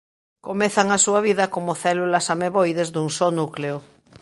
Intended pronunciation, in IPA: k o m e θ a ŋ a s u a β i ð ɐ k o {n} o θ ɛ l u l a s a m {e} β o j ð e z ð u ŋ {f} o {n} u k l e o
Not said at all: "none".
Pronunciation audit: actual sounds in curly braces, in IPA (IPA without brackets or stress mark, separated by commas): m, e, s, n